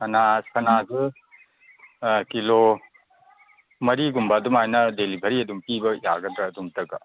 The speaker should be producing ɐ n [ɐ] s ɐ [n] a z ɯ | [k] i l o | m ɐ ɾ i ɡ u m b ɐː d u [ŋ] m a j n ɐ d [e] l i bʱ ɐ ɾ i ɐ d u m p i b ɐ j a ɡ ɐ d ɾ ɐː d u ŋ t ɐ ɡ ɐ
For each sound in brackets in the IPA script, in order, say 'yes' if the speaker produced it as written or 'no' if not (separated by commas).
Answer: no, yes, yes, no, yes